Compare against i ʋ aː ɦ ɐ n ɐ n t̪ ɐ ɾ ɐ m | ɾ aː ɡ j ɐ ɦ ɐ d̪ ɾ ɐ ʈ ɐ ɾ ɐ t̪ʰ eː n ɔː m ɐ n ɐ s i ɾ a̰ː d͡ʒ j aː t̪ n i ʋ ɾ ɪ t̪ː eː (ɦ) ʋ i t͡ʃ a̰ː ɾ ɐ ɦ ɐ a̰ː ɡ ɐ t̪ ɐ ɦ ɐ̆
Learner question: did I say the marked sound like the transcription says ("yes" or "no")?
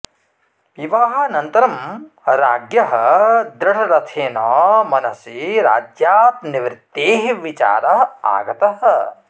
yes